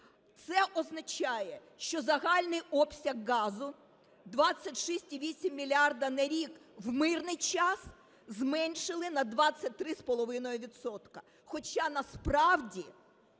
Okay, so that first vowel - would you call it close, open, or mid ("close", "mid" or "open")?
mid